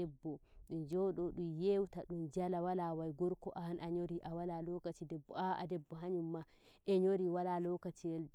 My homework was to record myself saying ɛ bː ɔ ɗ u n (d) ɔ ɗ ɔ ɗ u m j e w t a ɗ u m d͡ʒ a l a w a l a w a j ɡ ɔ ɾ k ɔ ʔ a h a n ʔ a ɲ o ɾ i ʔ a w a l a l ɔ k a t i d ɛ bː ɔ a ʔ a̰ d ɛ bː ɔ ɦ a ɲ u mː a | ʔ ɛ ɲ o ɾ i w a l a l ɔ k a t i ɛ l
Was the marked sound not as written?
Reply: yes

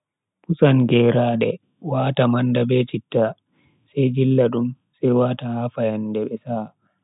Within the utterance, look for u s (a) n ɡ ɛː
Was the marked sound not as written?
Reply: no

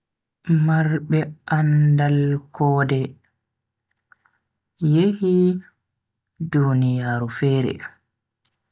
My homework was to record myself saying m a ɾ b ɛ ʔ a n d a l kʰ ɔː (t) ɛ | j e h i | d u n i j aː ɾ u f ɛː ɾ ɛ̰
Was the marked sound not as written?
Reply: yes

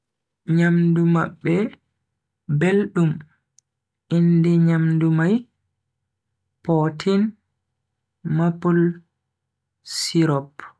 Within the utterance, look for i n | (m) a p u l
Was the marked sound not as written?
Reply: no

